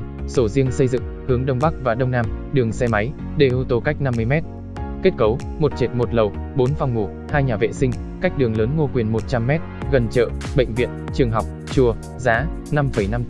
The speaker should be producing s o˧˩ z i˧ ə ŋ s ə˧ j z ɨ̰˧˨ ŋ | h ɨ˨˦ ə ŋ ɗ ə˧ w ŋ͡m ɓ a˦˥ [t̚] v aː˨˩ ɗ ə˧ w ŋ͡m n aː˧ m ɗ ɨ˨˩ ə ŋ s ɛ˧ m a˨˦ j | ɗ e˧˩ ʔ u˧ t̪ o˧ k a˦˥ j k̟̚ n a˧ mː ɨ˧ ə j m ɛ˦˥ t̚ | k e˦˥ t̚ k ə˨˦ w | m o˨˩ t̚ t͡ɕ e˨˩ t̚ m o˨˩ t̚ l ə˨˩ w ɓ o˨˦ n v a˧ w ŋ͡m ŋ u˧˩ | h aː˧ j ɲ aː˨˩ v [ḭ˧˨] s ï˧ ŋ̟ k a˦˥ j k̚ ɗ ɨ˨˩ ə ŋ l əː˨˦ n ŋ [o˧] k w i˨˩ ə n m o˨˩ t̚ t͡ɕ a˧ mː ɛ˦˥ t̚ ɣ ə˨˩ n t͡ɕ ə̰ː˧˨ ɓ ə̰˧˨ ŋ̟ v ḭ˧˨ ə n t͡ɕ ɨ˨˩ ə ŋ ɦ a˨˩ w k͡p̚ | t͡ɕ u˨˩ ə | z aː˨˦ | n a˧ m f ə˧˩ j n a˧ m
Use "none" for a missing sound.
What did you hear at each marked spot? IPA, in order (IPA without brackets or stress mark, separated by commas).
k̚, ḛ˧˨, o˧